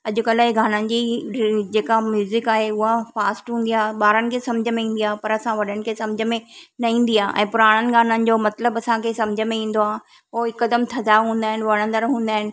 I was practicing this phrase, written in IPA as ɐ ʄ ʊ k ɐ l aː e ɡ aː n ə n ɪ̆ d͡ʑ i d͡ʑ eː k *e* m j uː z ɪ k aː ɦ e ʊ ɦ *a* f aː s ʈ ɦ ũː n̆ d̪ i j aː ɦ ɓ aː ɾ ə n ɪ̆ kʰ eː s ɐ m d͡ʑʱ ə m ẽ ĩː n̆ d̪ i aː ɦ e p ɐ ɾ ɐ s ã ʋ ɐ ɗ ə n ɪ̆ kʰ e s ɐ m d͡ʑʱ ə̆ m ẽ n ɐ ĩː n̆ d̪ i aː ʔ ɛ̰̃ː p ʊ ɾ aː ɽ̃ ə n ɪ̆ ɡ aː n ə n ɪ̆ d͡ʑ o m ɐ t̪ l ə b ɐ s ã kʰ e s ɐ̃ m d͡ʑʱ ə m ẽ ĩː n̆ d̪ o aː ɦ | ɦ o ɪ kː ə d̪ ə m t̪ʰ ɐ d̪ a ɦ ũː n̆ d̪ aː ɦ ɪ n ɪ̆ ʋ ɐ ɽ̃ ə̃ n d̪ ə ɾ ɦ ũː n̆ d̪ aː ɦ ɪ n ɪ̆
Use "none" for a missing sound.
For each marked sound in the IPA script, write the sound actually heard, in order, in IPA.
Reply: a, a

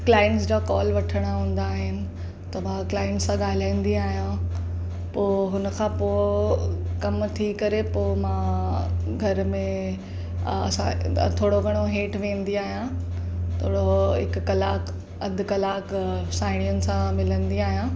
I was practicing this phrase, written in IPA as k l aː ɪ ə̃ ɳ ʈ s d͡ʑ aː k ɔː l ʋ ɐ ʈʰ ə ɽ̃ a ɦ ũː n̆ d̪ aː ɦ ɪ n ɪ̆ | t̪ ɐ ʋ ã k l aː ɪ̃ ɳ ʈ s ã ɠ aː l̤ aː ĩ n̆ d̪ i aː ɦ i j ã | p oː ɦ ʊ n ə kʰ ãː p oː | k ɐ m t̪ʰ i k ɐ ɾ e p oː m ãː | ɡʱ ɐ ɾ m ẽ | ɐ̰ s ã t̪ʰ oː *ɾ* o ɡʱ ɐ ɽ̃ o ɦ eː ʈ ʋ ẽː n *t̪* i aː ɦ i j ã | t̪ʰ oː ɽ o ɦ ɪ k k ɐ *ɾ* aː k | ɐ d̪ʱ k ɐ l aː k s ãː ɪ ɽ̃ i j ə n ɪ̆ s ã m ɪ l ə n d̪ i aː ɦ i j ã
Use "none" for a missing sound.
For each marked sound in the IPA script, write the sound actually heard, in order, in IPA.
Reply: ɽ, d̪, l

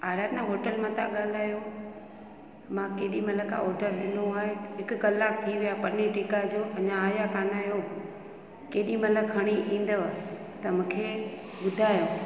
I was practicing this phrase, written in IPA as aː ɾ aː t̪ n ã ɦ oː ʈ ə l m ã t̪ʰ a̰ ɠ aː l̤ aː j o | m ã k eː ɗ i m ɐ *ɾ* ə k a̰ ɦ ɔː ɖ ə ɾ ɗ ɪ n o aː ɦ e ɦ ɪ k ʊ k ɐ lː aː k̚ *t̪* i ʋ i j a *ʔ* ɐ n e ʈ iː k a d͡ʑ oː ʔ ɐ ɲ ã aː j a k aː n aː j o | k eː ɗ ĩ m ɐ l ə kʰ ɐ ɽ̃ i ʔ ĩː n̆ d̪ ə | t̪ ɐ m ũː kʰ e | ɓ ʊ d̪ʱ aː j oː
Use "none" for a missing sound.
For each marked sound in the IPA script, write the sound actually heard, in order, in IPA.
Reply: l, t̪ʰ, p

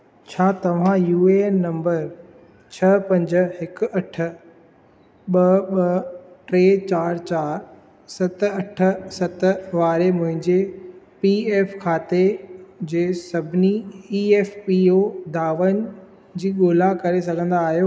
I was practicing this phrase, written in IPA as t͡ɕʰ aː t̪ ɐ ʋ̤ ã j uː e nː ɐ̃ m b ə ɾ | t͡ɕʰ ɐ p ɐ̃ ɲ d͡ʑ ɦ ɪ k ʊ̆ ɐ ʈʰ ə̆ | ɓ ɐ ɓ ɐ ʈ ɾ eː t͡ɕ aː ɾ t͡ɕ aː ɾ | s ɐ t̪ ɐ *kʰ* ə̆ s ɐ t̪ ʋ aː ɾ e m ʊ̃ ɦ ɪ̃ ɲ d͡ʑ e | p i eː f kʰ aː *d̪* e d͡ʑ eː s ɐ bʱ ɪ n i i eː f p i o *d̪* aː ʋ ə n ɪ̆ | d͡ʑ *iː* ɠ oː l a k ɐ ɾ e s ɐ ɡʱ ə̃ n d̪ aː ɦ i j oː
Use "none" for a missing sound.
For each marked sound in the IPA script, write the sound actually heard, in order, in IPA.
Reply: ʈʰ, t̪, d̪, iː

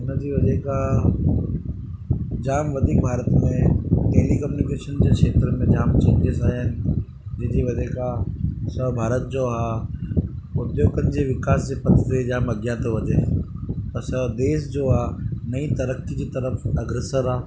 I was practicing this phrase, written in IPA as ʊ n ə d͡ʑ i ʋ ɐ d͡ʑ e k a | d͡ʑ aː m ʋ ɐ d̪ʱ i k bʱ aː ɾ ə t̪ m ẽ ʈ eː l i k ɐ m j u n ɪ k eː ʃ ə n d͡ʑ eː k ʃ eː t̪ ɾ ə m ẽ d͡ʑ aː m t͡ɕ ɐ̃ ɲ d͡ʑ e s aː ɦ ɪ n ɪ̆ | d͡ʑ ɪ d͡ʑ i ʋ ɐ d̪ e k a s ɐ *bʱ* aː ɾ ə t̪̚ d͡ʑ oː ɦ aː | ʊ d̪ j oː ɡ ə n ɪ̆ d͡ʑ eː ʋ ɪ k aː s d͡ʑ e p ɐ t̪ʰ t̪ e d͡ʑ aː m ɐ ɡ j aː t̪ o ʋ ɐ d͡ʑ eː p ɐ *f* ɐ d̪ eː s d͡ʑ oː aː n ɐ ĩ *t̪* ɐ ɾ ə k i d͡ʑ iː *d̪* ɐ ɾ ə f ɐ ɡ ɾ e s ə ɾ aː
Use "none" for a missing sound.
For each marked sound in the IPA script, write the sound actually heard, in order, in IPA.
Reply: bʱ, s, t̪, t̪

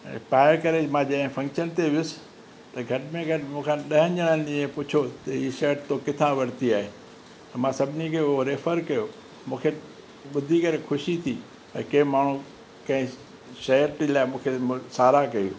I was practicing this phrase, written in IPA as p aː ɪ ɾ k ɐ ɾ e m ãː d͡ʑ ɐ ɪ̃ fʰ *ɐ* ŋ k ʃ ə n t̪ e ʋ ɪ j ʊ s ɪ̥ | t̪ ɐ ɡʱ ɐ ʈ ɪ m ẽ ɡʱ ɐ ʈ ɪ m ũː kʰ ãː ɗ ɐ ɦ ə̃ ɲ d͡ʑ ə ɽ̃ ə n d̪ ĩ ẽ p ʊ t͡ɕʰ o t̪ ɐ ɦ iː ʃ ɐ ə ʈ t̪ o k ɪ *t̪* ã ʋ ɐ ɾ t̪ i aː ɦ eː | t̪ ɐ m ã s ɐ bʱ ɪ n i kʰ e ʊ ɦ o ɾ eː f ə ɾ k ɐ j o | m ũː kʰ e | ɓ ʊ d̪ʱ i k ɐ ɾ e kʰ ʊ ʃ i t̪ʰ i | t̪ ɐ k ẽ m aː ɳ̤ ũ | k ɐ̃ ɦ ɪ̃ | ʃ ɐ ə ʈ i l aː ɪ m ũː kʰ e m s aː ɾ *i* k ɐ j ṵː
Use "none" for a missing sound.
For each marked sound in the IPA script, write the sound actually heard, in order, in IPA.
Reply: ɐ̃, t̪ʰ, a

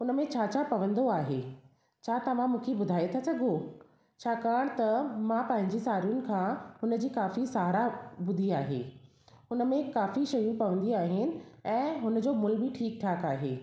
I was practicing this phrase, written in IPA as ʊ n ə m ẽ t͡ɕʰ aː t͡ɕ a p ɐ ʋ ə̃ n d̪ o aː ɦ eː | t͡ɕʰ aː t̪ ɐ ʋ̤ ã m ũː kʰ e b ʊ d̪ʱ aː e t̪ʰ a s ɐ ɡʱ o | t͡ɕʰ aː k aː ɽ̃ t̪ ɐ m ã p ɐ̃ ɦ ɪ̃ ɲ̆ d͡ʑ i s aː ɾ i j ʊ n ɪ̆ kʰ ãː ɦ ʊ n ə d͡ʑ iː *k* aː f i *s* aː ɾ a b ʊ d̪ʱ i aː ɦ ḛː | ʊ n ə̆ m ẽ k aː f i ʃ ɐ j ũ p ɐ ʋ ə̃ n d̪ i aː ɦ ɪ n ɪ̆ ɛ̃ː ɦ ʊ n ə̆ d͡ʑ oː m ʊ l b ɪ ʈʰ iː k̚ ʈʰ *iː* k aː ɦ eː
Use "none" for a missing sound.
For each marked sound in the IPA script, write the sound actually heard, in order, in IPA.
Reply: k, s, aː

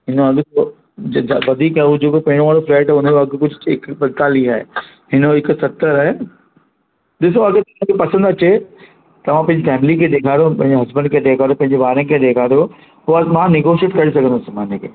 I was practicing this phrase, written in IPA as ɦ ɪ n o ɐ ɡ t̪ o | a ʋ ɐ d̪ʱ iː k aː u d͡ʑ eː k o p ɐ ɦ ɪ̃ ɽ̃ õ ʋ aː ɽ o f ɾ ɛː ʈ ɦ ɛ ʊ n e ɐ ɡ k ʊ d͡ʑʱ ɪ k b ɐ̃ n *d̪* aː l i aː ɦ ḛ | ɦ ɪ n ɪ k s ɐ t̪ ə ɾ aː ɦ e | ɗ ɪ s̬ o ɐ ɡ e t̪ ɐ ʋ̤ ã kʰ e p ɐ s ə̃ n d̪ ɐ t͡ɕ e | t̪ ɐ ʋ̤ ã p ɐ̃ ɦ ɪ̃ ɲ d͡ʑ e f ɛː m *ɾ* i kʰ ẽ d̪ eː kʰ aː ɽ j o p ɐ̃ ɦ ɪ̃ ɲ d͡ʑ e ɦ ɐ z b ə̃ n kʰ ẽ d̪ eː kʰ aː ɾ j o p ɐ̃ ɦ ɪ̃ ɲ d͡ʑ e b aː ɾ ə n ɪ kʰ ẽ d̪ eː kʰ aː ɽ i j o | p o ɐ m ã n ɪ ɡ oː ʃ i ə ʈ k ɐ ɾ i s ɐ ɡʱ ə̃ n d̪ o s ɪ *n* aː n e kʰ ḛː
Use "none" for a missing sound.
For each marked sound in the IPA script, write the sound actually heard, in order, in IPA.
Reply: t̪, l, m

